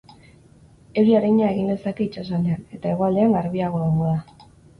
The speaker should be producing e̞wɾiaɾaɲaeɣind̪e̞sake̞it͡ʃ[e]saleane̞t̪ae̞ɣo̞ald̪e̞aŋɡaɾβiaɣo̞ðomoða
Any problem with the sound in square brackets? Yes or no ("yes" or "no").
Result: yes